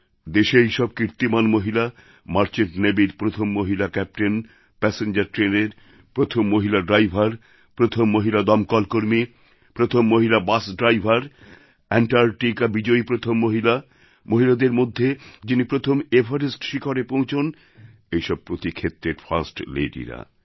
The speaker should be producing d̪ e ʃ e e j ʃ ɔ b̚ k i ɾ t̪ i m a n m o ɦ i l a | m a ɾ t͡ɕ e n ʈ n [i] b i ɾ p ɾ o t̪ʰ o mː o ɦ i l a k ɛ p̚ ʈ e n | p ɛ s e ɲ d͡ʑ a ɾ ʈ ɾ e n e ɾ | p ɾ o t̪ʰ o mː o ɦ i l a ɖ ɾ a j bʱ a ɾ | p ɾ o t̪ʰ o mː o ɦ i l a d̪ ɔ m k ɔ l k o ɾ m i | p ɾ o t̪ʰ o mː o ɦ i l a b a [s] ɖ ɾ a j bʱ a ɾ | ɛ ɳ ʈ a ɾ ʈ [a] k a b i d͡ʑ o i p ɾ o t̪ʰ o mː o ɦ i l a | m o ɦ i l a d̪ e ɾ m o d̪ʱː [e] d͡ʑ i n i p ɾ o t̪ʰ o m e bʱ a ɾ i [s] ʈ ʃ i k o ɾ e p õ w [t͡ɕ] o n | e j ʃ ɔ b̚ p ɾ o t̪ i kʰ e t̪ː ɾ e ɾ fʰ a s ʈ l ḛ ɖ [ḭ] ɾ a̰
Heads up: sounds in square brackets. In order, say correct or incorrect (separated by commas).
incorrect, correct, incorrect, correct, correct, incorrect, correct